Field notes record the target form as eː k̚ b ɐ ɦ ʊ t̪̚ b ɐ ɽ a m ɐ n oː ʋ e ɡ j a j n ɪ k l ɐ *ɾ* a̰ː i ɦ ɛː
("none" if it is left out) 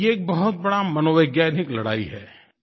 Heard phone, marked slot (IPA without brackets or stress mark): ɽ